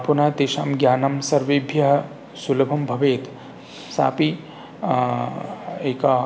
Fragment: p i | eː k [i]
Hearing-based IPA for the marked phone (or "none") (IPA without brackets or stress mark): a